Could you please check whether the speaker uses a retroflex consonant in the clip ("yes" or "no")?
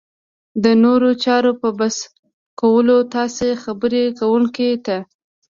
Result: no